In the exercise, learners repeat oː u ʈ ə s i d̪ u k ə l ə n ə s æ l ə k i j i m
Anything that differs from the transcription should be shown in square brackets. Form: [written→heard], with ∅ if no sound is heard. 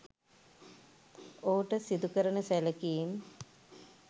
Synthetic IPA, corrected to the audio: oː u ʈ ə s i d̪ u k ə [l→ɾ] ə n ə s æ l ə k i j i m